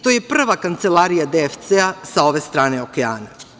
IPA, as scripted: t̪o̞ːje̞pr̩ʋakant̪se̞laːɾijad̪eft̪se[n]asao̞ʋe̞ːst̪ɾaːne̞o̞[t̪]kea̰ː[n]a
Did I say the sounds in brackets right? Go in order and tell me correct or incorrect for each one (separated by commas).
incorrect, incorrect, correct